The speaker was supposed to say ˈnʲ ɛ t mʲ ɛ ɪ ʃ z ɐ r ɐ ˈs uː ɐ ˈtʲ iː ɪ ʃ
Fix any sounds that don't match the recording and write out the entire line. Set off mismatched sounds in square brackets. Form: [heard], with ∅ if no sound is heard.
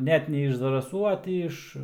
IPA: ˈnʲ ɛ t [nʲ] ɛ ɪ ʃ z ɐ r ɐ ˈs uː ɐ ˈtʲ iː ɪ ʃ